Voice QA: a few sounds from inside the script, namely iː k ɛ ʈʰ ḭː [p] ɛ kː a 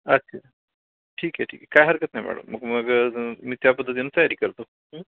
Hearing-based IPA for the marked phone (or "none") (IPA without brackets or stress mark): k